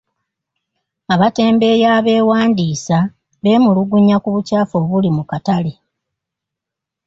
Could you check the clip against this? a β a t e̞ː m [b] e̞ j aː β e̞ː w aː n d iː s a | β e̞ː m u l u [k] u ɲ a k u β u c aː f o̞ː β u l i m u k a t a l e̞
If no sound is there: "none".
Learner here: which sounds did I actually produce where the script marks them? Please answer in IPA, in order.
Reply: b, ɡ

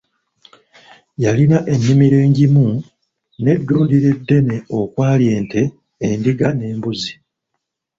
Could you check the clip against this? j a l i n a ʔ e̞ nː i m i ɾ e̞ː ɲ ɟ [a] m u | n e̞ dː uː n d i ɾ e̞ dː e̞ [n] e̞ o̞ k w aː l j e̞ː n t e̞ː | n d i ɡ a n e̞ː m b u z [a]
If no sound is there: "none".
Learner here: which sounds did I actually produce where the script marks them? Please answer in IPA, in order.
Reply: i, n, i

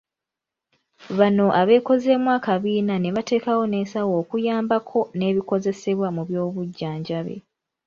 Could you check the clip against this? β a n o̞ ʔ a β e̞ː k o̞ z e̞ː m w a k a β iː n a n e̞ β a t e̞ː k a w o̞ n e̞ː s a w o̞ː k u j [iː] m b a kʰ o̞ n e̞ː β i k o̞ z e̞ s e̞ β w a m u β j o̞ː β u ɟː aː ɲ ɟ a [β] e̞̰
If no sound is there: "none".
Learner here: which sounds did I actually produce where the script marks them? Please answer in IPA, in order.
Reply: aː, β

